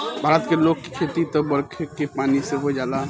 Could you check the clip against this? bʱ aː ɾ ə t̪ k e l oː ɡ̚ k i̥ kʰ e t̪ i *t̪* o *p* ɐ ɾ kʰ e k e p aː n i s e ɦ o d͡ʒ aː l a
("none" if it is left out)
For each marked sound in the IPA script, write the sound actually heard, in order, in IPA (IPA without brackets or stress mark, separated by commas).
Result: t̪, b